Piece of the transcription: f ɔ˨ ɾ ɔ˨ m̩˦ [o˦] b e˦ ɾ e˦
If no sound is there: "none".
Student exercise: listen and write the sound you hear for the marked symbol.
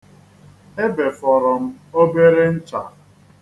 o˦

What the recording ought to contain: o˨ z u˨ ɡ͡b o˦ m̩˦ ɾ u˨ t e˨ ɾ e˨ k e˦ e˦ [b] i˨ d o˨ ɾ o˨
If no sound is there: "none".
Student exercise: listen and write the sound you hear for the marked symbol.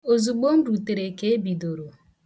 b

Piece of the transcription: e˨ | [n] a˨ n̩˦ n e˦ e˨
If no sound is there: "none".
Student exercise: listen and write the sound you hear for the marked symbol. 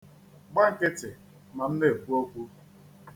m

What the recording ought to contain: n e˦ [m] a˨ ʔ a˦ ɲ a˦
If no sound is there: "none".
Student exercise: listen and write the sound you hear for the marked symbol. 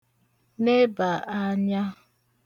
b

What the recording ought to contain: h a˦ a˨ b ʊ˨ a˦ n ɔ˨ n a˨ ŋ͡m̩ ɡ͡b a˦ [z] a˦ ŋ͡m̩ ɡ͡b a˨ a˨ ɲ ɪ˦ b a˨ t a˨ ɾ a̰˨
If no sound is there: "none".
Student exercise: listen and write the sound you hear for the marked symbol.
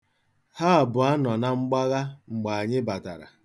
ɣ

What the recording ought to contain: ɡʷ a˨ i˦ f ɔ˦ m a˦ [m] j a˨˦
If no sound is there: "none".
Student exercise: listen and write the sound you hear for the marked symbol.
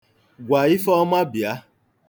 b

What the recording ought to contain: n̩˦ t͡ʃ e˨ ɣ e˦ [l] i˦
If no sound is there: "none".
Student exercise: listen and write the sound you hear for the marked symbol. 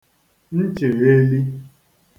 l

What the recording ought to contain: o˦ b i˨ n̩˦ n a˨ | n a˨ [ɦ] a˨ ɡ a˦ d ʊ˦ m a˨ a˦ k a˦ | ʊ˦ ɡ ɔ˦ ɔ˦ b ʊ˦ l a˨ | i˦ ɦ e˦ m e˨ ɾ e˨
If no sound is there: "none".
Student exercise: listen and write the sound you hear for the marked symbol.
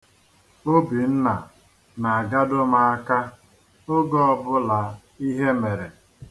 none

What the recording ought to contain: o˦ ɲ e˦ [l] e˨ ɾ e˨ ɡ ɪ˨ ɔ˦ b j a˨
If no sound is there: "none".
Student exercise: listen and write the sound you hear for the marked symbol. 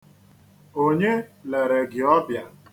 l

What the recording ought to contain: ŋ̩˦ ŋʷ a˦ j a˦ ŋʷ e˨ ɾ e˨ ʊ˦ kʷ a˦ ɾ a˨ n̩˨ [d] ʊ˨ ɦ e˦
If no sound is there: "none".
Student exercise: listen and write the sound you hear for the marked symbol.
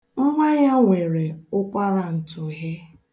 t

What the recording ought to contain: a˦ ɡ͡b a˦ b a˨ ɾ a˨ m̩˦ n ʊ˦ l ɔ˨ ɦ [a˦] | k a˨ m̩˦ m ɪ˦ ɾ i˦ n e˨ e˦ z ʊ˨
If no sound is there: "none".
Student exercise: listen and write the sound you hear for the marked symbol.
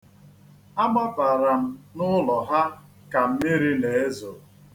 a˦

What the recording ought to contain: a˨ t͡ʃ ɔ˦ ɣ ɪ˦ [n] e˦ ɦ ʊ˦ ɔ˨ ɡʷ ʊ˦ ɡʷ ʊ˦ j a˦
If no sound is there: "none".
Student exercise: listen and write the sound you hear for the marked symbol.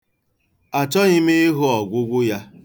m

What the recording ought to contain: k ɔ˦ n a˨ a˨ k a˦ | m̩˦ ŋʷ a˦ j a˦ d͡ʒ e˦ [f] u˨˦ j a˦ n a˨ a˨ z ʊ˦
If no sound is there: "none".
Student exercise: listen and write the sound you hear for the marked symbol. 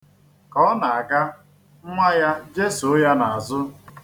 s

